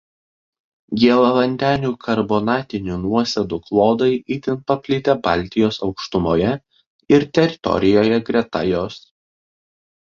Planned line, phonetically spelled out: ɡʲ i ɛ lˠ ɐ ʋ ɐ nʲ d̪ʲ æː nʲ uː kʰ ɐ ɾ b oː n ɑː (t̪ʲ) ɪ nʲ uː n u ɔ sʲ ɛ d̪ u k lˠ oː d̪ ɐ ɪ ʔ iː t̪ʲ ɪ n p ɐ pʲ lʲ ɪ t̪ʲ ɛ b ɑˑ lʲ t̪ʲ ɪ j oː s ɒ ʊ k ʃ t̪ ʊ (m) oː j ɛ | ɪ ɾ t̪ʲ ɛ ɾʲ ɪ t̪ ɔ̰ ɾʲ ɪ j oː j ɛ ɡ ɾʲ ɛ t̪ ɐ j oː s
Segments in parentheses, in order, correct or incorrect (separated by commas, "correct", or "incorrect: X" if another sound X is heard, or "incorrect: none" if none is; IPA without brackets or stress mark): correct, correct